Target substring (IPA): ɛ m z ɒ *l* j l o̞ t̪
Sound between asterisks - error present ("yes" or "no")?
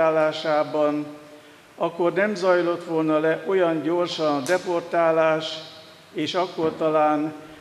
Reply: yes